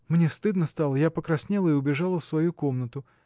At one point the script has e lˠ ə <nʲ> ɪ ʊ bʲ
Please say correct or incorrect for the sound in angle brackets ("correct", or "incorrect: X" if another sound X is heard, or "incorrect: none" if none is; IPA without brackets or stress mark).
incorrect: none